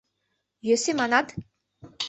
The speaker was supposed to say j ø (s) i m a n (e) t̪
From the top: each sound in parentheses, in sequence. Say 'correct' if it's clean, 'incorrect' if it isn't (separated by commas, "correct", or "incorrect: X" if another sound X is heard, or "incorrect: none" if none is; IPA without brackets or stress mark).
correct, incorrect: a